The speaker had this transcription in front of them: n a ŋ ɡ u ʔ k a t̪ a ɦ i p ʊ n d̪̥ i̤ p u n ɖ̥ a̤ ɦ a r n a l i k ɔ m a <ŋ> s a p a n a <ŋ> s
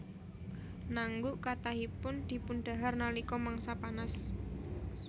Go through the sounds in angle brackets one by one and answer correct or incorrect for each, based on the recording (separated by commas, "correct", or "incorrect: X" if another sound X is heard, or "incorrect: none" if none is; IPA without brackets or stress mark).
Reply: correct, incorrect: none